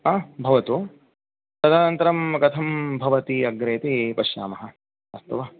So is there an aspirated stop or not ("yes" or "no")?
yes